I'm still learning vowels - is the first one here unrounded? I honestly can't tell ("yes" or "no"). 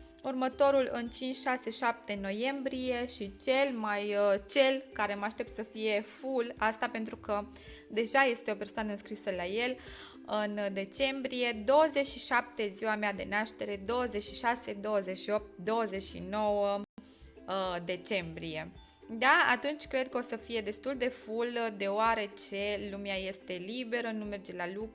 no